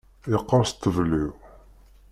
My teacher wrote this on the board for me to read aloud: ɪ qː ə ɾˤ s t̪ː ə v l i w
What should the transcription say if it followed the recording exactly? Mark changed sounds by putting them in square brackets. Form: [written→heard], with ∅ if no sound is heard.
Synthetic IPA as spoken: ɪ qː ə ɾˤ s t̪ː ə v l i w

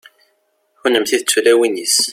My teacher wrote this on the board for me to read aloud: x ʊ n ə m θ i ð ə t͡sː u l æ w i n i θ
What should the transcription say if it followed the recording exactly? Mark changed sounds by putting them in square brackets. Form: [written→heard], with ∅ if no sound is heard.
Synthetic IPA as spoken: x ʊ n ə m θ i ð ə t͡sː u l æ w i n i [θ→s]

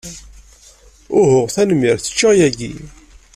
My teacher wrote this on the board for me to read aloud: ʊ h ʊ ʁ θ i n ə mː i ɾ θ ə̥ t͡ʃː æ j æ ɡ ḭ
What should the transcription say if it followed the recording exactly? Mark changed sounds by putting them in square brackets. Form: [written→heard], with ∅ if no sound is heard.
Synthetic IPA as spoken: ʊ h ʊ ʁ θ [i→æ] n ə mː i ɾ θ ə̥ t͡ʃː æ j æ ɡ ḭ

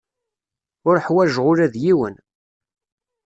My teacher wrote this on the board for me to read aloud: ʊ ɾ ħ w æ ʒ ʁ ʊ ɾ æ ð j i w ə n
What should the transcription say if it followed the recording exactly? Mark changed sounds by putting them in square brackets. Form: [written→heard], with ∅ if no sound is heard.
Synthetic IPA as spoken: ʊ ɾ ħ w æ ʒ ʁ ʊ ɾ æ ð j i w ə n

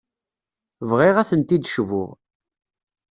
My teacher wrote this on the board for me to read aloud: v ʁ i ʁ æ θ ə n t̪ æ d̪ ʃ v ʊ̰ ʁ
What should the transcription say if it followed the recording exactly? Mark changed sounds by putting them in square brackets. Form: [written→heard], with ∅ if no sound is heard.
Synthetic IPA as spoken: v ʁ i ʁ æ θ ə n t̪ [æ→i] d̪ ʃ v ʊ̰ ʁ

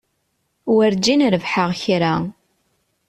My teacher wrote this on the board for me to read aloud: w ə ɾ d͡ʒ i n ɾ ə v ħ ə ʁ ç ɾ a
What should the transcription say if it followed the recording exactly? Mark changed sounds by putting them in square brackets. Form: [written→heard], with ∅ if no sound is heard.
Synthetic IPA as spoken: w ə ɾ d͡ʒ i n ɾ ə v ħ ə ʁ ç ɾ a

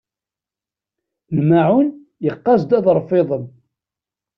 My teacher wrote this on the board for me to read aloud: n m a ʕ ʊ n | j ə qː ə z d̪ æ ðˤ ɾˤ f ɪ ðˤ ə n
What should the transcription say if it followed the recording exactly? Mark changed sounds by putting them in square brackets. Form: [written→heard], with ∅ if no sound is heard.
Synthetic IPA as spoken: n m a ʕ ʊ n | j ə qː [ə→ɑ] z d̪ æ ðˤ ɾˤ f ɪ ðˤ ə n

